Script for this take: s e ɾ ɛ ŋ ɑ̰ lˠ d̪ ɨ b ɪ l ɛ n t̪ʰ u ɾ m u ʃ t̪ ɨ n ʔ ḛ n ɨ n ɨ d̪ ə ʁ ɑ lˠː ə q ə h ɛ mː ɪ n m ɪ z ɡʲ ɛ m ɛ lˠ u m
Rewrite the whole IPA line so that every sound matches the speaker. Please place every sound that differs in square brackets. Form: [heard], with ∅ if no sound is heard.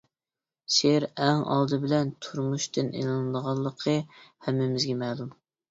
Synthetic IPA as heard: s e ɾ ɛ ŋ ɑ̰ lˠ d̪ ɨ b ɪ l ɛ n t̪ʰ u ɾ m u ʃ t̪ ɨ n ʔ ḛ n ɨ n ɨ d̪ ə ʁ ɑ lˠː ə [qʰ] ə h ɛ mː ɪ [∅] m ɪ z ɡʲ ɛ m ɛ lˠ u m